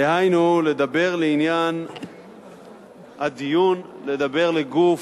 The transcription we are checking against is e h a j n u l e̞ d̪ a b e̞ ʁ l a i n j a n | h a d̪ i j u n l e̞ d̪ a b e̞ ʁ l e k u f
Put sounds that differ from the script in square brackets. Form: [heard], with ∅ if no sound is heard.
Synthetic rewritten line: e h a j n u l e̞ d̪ a b e̞ ʁ l [e] i n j a n | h a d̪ i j u n l e̞ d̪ a b e̞ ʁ l e [ɡ] u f